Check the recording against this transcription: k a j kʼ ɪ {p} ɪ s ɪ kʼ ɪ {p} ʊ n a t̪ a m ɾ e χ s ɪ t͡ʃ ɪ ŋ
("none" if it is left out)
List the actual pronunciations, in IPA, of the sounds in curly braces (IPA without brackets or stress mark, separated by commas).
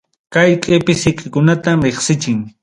p, k